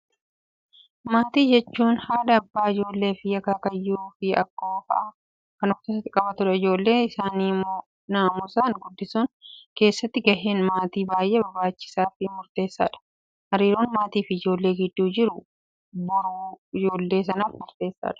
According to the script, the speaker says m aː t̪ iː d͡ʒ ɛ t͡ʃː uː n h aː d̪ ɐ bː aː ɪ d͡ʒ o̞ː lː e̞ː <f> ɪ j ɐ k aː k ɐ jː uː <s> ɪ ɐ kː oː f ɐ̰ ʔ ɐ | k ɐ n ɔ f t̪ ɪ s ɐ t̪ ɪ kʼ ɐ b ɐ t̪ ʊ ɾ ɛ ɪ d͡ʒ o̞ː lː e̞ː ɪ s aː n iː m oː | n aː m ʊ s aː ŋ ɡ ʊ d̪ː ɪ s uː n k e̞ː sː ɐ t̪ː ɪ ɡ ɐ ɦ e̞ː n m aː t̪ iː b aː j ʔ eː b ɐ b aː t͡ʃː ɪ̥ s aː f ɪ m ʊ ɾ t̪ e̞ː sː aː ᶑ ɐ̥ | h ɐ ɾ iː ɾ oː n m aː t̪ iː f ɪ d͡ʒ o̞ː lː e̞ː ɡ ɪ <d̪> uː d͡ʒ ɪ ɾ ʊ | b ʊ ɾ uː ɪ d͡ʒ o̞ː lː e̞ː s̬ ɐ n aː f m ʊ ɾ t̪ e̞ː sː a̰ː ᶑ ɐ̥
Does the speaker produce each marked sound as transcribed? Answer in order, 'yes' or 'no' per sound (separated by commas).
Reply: yes, no, no